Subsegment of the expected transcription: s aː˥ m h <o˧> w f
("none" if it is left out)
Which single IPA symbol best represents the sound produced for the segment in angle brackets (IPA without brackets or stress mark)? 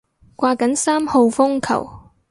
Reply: o˧